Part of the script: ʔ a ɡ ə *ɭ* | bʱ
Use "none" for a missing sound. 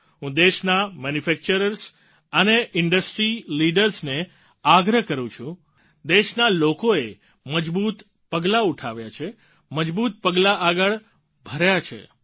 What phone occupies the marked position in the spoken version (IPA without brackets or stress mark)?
ɭ